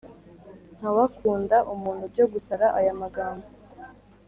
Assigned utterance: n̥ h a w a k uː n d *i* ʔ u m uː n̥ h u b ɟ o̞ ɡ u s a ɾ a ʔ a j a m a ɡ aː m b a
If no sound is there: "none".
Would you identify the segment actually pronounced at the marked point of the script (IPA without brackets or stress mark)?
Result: a